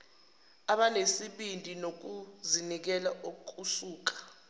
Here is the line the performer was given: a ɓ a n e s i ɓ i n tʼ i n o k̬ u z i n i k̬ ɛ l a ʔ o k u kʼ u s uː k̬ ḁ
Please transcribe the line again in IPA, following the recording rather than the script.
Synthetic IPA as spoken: a ɓ a n e s i ɓ i n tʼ i n o k̬ u z i n i k̬ ɛ l a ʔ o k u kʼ u s uː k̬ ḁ